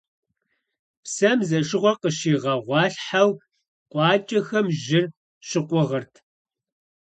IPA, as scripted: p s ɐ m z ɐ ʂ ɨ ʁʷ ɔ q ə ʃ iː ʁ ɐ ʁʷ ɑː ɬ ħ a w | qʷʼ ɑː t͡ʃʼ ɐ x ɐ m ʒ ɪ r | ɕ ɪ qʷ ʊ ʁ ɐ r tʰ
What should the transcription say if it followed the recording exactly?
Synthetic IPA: p s ɐ m z ɐ ʂ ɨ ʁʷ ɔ q ə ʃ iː ʁ ɐ ʁʷ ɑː ɬ ħ a w | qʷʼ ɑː t͡ʃʼ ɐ x ɐ m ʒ ɪ r | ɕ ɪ qʷ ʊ ʁ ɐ r tʰ

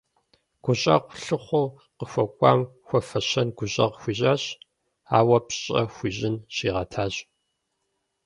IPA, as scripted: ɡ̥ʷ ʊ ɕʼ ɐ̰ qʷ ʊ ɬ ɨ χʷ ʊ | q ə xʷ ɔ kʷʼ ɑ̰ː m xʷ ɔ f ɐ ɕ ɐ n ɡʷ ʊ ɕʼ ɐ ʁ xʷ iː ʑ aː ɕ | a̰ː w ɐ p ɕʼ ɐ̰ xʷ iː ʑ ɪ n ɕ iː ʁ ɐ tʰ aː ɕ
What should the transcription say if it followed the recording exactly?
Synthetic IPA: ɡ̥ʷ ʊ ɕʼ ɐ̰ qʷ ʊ ɬ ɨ χʷ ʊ | q ə xʷ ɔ kʷʼ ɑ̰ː m xʷ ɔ f ɐ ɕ ɐ n ɡʷ ʊ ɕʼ ɐ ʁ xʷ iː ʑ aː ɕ | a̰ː w ɐ p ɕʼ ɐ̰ xʷ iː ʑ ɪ n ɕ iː ʁ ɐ tʰ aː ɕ

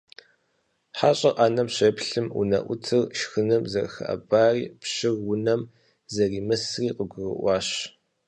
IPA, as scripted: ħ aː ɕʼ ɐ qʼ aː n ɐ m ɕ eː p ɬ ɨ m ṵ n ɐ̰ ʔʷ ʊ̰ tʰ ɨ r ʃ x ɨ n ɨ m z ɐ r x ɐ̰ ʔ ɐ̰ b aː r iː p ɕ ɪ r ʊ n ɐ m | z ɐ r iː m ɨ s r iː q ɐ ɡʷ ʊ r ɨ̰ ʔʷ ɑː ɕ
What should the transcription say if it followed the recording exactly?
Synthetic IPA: ħ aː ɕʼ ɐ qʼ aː n ɐ m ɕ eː p ɬ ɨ m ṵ n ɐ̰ ʔʷ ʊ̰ tʰ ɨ r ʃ x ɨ n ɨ m z ɐ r x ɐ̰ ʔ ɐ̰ b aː r iː p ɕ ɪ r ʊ n ɐ m | z ɐ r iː m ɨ s r iː q ə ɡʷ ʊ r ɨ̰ ʔʷ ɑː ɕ

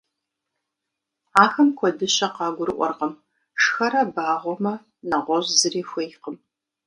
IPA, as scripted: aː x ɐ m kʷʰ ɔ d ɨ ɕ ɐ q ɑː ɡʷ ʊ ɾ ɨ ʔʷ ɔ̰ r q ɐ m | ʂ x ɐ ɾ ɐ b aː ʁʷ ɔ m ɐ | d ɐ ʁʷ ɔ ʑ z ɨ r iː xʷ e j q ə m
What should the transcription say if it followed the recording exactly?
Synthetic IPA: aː x ɐ m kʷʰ ɔ d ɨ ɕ ɐ q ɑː ɡʷ ʊ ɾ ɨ ʔʷ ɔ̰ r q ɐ m | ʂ x ɐ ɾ ɐ b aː ʁʷ ɔ m ɐ | n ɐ ʁʷ ɔ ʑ z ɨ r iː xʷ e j q ə m

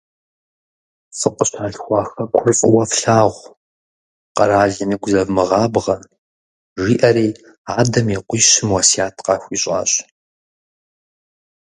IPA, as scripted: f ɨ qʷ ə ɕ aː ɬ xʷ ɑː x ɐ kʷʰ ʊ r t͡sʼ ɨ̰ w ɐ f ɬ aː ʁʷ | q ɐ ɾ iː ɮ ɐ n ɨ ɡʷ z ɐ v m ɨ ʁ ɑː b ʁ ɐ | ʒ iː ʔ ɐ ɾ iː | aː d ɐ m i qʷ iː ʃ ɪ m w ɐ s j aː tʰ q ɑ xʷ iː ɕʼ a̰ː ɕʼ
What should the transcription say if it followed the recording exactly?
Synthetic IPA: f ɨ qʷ ə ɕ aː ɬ xʷ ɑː x ɐ kʷʰ ʊ r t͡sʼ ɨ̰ w ɐ f ɬ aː ʁʷ | q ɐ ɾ aː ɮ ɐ n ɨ ɡʷ z ɐ v m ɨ ʁ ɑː b ʁ ɐ | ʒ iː ʔ ɐ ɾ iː | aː d ɐ m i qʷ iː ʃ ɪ m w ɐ s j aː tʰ q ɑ xʷ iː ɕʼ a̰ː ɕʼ

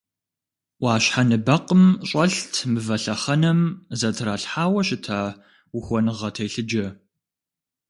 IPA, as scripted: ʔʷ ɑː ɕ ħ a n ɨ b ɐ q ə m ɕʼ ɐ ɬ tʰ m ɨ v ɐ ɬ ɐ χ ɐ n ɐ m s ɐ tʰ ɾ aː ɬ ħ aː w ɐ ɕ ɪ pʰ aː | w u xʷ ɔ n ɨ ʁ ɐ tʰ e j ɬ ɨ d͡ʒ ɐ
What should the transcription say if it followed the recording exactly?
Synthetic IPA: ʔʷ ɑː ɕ ħ a n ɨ b ɐ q ə m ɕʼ ɐ ɬ tʰ m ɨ v ɐ ɬ ɐ χ ɐ n ɐ m z ɐ tʰ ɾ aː ɬ ħ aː w ɐ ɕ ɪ tʰ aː | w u xʷ ɔ n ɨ ʁ ɐ tʰ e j ɬ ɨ d͡ʒ ɐ

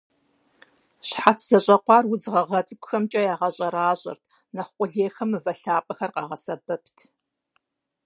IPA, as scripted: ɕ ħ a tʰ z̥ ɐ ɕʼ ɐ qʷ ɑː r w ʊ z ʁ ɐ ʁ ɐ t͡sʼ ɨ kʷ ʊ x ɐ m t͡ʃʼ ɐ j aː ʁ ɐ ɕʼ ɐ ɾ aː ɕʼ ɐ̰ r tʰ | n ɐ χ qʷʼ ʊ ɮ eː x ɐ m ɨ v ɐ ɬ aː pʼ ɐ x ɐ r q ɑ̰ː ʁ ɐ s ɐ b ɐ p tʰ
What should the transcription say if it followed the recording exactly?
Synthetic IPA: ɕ ħ a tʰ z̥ ɐ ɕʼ ɐ qʷ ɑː r w ʊ z ʁ ɐ ʁ ɐ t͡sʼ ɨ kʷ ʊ x ɐ m t͡ʃʼ ɐ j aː ʁ ɐ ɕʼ ɐ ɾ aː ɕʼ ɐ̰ r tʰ | n ɐ χ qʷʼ ʊ ɮ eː x ɐ m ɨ v ɐ ɬ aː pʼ ɐ x ɐ r q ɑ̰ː ʁ ɐ s ɐ b ɐ p tʰ

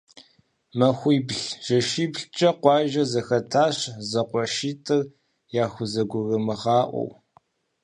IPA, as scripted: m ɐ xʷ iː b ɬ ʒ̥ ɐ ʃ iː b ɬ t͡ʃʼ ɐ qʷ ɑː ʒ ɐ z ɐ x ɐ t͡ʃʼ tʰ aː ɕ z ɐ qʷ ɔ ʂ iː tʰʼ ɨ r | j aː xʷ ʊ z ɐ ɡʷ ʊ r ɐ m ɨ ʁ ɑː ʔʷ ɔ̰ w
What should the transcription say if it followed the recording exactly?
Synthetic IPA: m ɐ xʷ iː b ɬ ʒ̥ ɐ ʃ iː b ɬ t͡ʃʼ ɐ qʷ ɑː ʒ ɐ z ɐ x ɐ tʰ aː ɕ z ɐ qʷ ɔ ʃ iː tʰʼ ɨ r | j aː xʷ ʊ z ɐ ɡʷ ʊ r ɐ m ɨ ʁ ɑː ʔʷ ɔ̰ w

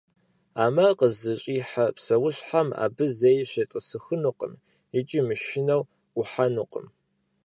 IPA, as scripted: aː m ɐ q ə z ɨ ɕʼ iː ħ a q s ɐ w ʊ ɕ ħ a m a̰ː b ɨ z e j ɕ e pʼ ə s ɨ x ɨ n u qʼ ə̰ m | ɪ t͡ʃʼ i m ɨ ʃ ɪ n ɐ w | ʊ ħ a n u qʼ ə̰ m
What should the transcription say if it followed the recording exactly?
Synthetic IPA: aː m ɐ q ə z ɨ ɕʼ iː ħ a p s ɐ w ʊ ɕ ħ a m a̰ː b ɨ z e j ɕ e tʼ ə s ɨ x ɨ n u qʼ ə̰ m | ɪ t͡ʃʼ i m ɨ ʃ ɪ n ɐ w | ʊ ħ a n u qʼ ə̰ m

